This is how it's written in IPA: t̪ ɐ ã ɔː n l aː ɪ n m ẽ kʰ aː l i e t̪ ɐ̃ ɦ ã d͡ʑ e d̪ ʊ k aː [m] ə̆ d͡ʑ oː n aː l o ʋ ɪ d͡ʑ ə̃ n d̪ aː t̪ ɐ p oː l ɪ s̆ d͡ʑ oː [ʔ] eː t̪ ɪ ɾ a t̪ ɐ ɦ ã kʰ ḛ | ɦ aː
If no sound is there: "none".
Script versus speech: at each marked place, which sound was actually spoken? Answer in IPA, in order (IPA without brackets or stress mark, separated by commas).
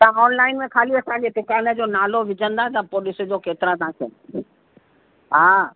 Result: n, k